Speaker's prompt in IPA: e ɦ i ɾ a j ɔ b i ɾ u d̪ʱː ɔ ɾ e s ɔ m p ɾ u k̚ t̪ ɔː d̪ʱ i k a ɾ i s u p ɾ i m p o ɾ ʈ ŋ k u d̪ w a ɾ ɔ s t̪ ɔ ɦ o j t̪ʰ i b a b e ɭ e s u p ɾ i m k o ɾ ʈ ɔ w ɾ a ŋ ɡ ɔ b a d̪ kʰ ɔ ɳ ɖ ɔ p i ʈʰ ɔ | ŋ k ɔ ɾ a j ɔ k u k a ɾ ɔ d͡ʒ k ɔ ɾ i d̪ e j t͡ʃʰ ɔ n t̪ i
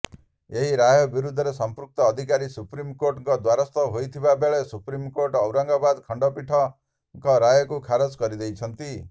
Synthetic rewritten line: e ɦ i ɾ a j ɔ b i ɾ u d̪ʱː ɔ ɾ e s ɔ m p ɾ u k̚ t̪ ɔː d̪ʱ i k a ɾ i s u p ɾ i m k o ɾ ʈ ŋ k ɔ d̪ w a ɾ ɔ s t̪ ɔ ɦ o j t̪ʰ i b a b e ɭ e s u p ɾ i m k o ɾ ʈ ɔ w ɾ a ŋ ɡ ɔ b a d̪ kʰ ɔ ɳ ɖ ɔ p i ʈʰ ɔ | ŋ k ɔ ɾ a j ɔ k u kʰ a ɾ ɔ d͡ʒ k ɔ ɾ i d̪ e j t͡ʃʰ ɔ n t̪ i

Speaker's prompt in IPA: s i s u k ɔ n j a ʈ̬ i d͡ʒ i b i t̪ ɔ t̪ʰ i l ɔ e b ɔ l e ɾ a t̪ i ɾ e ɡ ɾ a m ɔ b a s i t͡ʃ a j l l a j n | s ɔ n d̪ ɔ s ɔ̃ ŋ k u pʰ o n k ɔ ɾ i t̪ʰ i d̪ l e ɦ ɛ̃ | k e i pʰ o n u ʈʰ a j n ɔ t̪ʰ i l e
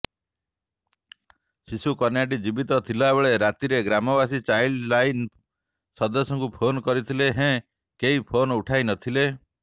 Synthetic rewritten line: s i s u k ɔ n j a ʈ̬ i d͡ʒ i b i t̪ ɔ t̪ʰ i l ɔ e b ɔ ɭ e ɾ a t̪ i ɾ e ɡ ɾ a m ɔ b a s i t͡ʃ a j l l a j n | s ɔ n d̪ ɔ s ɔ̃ ŋ k u pʰ o n k ɔ ɾ i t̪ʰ i l e ɦ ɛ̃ | k e i pʰ o n u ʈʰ a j n ɔ t̪ʰ i l e

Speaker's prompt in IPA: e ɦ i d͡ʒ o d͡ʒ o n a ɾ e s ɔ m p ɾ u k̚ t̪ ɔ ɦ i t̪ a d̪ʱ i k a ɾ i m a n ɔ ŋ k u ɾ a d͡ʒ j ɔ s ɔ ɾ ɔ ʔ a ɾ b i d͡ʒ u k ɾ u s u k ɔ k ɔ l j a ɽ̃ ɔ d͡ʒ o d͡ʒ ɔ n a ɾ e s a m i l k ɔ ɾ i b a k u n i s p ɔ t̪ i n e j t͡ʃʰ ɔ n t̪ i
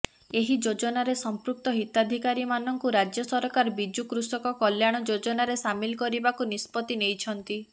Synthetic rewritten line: e ɦ i d͡ʒ o d͡ʒ ɔ n a ɾ e s ɔ m p ɾ u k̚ t̪ ɔ ɦ i t̪ a d̪ʱ i k a ɾ i m a n ɔ ŋ k u ɾ a d͡ʒ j ɔ s ɔ ɾ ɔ k a ɾ b i d͡ʒ u k ɾ u s ɔ k ɔ k ɔ l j a ɽ̃ ɔ d͡ʒ o d͡ʒ ɔ n a ɾ e s a m i l k ɔ ɾ i b a k u n i s p ɔ t̪ i n e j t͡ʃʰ ɔ n t̪ i

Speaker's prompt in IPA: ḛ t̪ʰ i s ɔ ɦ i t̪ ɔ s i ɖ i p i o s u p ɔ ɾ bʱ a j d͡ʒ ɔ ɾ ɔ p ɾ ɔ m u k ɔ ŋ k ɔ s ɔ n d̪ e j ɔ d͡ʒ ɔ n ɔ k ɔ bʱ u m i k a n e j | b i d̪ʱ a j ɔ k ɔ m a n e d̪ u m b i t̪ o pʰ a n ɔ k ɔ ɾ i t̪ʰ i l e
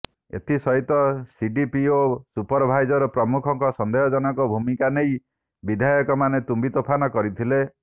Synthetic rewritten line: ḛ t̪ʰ i s ɔ ɦ i t̪ ɔ s i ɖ i p i o s u p ɔ ɾ bʱ a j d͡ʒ ɔ ɾ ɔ p ɾ ɔ m u kʰ ɔ ŋ k ɔ s ɔ n d̪ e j ɔ d͡ʒ ɔ n ɔ k ɔ bʱ u m i k a n e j | b i d̪ʱ a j ɔ k ɔ m a n e t̪ u m b i t̪ o pʰ a n ɔ k ɔ ɾ i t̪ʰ i l e

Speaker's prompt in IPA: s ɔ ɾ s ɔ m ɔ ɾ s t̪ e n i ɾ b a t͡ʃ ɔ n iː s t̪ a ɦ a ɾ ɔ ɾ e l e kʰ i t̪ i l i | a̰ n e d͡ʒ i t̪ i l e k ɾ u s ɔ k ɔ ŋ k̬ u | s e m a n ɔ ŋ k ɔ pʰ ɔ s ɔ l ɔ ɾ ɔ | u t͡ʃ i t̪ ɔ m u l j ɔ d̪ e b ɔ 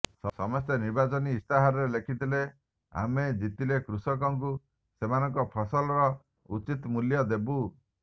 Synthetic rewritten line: s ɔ s ɔ m ɔ s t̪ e n i ɾ b a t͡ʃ ɔ n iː s t̪ a ɦ a ɾ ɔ ɾ e l e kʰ i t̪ i l e | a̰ m e d͡ʒ i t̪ i l e k ɾ u s ɔ k ɔ ŋ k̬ u | s e m a n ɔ ŋ k ɔ pʰ ɔ s ɔ l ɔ ɾ ɔ | u t͡ʃ i t̪ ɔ m u l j ɔ d̪ e b u

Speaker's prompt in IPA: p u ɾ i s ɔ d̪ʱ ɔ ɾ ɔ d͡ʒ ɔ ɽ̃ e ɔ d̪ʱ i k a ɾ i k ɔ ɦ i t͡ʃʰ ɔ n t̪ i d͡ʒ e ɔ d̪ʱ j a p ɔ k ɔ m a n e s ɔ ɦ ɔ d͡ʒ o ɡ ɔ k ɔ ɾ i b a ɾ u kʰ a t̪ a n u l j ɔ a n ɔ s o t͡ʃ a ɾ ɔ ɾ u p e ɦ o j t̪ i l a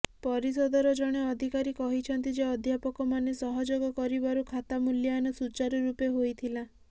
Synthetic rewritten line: p ɔ ɾ i s ɔ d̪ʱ ɔ ɾ ɔ d͡ʒ ɔ ɽ̃ e ɔ d̪ʱ i k a ɾ i k ɔ ɦ i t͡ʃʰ ɔ n t̪ i d͡ʒ e ɔ d̪ʱ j a p ɔ k ɔ m a n e s ɔ ɦ ɔ d͡ʒ o ɡ ɔ k ɔ ɾ i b a ɾ u kʰ a t̪ a m u l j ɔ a n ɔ s u t͡ʃ a ɾ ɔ ɾ u p e ɦ o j t̪ʰ i l a

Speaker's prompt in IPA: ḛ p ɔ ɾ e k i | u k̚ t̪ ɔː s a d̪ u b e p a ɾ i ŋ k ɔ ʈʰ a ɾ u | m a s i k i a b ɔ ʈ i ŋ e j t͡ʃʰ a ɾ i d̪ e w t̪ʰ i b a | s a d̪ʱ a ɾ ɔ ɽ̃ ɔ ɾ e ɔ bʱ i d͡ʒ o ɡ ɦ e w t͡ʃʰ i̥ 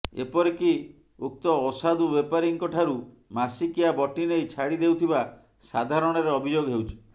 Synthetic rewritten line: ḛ p ɔ ɾ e k i | u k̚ t̪ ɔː s a d̪ u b e p a ɾ i ŋ k ɔ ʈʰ a ɾ u | m a s i k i a b ɔ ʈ i n e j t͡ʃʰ a ɽ i d̪ e w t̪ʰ i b a | s a d̪ʱ a ɾ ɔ ɽ̃ ɔ ɾ e ɔ bʱ i d͡ʒ o ɡ ɦ e w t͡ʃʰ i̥

